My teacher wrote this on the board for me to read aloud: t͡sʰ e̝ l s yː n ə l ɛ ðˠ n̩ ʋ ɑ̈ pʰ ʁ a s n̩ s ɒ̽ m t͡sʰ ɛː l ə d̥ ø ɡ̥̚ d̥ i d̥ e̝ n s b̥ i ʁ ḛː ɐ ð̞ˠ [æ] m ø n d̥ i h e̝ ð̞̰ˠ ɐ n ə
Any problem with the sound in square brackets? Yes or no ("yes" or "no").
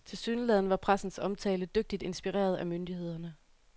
no